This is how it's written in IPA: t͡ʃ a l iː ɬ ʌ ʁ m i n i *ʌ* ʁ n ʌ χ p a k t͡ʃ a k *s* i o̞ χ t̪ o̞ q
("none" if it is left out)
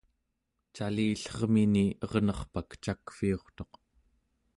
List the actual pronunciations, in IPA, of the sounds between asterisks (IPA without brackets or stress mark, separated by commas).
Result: ʌ, f